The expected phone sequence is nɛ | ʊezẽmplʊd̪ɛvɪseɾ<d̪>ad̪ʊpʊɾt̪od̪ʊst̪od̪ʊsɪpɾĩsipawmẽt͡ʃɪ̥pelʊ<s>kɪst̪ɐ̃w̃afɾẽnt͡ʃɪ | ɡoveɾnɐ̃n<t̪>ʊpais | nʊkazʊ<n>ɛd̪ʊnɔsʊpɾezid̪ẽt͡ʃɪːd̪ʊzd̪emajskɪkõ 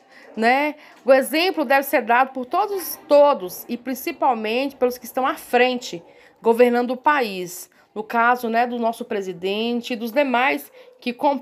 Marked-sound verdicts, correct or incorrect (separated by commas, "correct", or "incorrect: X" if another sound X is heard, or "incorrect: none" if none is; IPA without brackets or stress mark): correct, correct, incorrect: d̪, correct